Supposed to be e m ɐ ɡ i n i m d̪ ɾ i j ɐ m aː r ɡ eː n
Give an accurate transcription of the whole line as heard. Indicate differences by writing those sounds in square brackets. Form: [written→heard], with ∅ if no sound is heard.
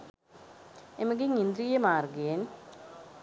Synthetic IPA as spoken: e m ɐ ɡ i [n→ŋ] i [m→n] d̪ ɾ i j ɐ m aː r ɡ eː n